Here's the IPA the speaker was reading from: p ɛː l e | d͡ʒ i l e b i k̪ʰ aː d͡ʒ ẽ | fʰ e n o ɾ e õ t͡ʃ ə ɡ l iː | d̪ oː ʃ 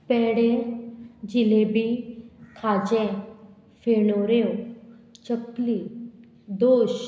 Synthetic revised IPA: p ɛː ɽ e | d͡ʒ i l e b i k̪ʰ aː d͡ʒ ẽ | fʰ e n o ɾ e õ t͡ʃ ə k l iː | d̪ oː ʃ